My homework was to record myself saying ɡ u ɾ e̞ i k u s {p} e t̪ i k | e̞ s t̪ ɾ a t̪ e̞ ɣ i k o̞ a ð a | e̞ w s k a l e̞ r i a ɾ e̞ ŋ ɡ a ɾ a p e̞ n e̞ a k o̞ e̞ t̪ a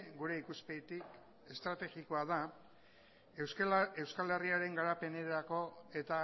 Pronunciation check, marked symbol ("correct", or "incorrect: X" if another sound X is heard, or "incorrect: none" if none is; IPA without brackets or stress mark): correct